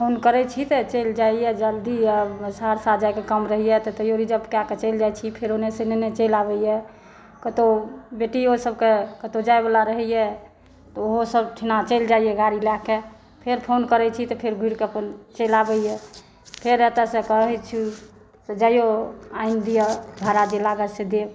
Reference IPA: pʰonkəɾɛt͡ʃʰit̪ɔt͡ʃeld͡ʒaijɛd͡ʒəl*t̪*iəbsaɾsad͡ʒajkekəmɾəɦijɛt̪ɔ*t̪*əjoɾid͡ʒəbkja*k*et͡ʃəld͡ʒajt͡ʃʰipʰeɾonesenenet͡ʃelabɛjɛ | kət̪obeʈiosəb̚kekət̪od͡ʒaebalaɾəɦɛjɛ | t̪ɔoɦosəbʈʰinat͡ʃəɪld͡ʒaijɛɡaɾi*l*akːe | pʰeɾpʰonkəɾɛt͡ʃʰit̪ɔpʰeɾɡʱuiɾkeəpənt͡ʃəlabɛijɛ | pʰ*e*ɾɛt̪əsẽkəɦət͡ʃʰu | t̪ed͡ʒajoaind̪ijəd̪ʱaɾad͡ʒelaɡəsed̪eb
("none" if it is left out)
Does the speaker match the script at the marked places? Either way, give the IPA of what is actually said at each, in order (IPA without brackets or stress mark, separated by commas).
d̪, t̪, k, l, e